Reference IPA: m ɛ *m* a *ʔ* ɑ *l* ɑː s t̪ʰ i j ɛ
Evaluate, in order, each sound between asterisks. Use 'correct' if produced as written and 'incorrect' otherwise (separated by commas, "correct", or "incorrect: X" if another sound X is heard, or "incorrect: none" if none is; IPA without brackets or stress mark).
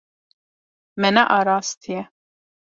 incorrect: n, correct, incorrect: ɾ